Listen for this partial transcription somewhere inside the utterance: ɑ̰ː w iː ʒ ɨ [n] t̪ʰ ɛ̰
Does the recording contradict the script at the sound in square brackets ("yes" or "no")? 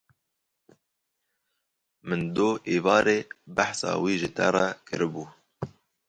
yes